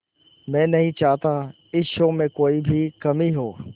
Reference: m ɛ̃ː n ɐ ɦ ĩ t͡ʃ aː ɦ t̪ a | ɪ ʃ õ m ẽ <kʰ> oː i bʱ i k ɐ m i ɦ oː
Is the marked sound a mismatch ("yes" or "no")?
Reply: yes